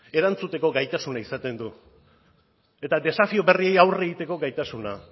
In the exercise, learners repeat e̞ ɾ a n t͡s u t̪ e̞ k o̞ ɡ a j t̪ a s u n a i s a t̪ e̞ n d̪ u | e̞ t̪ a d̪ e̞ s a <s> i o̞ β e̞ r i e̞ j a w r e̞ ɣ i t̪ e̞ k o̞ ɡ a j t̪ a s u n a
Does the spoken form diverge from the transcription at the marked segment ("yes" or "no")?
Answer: yes